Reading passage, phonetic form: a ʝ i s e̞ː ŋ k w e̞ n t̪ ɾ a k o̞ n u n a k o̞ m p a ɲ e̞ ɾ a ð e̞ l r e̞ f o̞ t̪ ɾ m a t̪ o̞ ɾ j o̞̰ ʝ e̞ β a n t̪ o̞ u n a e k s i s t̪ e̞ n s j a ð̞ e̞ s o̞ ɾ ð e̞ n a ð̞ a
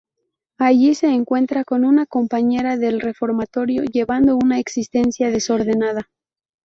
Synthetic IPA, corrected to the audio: a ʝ i s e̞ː ŋ k w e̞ n t̪ ɾ a k o̞ n u n a k o̞ m p a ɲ e̞ ɾ a ð e̞ l r e̞ f o̞ ɾ m a t̪ o̞ ɾ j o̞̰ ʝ e̞ β a n d̪ o̞ u n a e k s i s t̪ e̞ n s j a ð̞ e̞ s o̞ ɾ ð e̞ n a ð̞ a